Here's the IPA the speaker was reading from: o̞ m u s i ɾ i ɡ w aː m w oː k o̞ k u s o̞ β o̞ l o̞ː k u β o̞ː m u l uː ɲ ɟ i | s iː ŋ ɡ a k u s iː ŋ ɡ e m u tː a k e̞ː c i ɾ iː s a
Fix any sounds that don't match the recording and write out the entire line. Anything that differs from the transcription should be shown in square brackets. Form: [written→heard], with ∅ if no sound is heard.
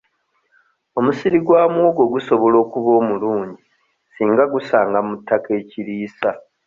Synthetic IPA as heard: o̞ m u s i ɾ i ɡ w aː m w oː [k→ɡ] o̞ [k→ɡ] u s o̞ β o̞ l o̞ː k u β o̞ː m u l uː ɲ ɟ i | s iː ŋ ɡ a [k→ɡ] u s [iː→aː] ŋ ɡ [e→a] m u tː a k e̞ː c i ɾ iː s a